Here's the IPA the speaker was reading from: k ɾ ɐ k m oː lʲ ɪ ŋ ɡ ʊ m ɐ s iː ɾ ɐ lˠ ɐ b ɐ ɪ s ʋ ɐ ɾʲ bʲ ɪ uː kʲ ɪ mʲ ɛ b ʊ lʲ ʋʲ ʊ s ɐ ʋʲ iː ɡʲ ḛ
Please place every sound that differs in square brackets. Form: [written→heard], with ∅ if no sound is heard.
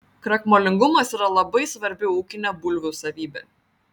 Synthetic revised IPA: k ɾ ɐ k m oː lʲ ɪ ŋ ɡ ʊ m ɐ s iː ɾ ɐ lˠ ɐ b ɐ ɪ s ʋ ɐ ɾʲ bʲ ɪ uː kʲ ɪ [mʲ→nʲ] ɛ b ʊ lʲ ʋʲ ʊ s ɐ ʋʲ iː [ɡʲ→bʲ] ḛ